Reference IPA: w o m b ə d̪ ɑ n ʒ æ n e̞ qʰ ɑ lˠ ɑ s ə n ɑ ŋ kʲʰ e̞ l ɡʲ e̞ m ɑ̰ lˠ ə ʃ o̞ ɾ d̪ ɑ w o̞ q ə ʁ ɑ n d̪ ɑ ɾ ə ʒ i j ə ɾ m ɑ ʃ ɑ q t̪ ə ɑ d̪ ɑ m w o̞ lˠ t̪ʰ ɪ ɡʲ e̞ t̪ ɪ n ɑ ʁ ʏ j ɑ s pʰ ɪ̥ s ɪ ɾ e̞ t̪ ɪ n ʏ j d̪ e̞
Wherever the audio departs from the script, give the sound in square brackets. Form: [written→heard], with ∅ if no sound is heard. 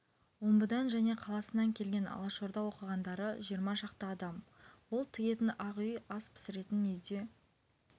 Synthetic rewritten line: w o m b ə d̪ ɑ n ʒ æ n e̞ qʰ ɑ lˠ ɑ s ə n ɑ ŋ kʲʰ e̞ l ɡʲ e̞ [m→n] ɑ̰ lˠ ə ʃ o̞ ɾ d̪ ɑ w o̞ q ə ʁ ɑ n d̪ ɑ ɾ ə ʒ i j ə ɾ m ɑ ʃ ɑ q t̪ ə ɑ d̪ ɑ m w o̞ lˠ t̪ʰ ɪ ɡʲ e̞ t̪ ɪ n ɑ ʁ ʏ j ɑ s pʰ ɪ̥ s ɪ ɾ e̞ t̪ ɪ n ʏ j d̪ e̞